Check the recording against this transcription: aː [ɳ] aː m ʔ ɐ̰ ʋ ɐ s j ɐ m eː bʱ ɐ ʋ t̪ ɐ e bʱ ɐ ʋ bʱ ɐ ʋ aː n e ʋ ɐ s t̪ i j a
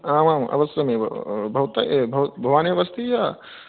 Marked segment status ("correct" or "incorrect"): incorrect